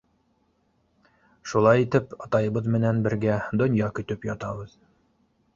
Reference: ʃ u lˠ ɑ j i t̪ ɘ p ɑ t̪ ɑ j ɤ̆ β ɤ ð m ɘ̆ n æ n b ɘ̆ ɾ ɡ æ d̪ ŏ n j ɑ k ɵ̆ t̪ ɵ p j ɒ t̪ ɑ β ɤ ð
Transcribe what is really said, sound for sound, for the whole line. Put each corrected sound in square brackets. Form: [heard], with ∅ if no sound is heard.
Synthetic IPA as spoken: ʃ u lˠ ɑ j i t̪ ɘ p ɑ t̪ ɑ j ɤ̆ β ɤ ð m ɘ̆ n æ n b ɘ̆ ɾ ɡ æ d̪ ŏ n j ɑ k ɵ̆ t̪ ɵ p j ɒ t̪ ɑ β ɤ ð